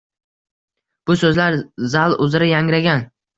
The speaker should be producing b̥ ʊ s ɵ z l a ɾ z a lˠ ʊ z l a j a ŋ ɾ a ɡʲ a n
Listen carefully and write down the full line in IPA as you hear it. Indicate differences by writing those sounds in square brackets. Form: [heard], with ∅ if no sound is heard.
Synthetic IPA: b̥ ʊ s ɵ z l a ɾ z a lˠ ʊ z [ɾ] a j a ŋ ɾ a ɡʲ a n